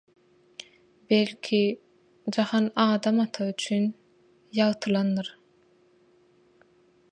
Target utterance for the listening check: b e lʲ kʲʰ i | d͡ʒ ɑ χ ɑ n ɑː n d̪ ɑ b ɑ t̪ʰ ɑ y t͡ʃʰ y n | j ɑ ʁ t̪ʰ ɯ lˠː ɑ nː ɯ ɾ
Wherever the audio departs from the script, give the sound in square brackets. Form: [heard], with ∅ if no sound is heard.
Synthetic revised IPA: b e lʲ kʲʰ i | d͡ʒ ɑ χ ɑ n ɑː [∅] d̪ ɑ [m] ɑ t̪ʰ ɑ y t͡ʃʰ y n | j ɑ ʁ t̪ʰ ɯ [lˠ] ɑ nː ɯ ɾ